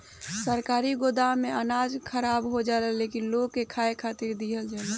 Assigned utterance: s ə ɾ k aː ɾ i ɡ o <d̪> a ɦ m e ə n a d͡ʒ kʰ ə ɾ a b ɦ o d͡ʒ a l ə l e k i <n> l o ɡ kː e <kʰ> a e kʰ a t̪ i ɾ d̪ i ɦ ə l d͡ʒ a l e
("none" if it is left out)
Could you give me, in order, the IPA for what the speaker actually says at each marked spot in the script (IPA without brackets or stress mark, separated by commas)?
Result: d̪, n, kʰ